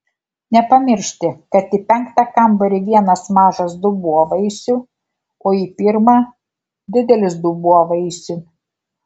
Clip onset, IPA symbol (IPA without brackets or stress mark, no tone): nʲ